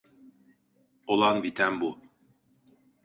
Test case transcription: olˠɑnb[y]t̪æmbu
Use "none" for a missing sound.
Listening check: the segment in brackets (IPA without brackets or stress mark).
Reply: i